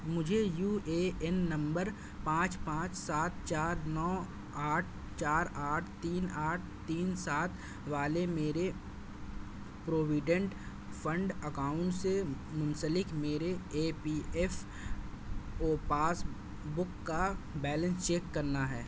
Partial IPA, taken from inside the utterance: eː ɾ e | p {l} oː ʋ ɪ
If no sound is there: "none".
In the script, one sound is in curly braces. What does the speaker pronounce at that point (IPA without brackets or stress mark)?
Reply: ɾ